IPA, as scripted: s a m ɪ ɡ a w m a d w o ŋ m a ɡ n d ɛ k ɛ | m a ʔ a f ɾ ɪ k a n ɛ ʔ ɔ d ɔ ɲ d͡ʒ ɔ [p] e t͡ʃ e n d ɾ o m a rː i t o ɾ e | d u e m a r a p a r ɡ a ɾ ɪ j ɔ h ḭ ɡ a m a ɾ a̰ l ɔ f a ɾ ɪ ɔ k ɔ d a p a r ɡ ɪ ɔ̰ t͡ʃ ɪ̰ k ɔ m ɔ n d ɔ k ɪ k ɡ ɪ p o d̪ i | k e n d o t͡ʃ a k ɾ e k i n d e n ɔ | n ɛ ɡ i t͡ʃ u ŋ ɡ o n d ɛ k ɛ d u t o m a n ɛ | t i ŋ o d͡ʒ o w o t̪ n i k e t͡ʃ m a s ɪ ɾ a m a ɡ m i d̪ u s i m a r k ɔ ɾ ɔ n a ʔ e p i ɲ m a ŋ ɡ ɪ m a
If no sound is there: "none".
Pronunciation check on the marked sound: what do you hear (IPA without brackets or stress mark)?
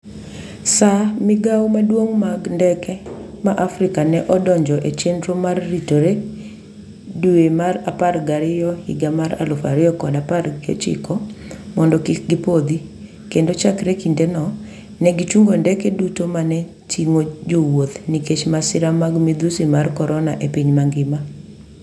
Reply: ʔ